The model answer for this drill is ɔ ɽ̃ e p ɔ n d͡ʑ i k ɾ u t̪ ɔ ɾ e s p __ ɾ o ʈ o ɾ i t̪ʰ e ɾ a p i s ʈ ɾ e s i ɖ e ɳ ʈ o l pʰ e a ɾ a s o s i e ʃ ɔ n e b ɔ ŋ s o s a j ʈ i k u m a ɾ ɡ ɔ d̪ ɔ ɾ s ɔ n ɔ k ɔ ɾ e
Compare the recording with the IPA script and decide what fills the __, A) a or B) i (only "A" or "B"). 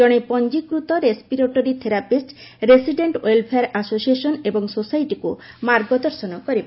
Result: B